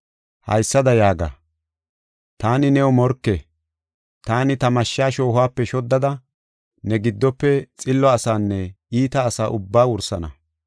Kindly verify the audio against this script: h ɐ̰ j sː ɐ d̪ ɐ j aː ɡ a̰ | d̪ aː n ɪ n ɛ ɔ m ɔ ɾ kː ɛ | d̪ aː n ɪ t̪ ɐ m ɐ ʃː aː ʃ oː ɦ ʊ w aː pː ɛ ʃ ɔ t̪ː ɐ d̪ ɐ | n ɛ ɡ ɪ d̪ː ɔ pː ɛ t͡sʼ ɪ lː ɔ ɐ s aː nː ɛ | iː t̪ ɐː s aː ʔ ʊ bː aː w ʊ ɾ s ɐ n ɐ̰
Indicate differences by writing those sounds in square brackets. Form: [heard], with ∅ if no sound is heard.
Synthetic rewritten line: h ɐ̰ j sː ɐ d̪ ɐ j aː ɡ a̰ | [t̪] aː n ɪ n ɛ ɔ m ɔ ɾ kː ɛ | [t̪] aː n ɪ t̪ ɐ m ɐ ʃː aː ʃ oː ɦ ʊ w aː pː ɛ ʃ ɔ [d̪ː] ɐ d̪ ɐ | n ɛ ɡ ɪ d̪ː ɔ pː ɛ t͡sʼ ɪ lː ɔ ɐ s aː nː ɛ | iː t̪ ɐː s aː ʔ ʊ bː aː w ʊ ɾ s ɐ n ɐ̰